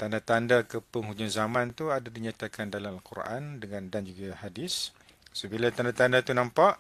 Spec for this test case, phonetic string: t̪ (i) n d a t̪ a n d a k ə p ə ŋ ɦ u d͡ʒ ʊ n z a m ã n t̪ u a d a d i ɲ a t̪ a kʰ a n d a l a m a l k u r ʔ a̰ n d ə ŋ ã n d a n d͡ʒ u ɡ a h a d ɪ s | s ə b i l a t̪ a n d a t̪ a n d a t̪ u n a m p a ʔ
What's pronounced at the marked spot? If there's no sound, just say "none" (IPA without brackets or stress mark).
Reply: a